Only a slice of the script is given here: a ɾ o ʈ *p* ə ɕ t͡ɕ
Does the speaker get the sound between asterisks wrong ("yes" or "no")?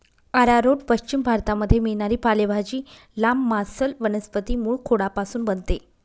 no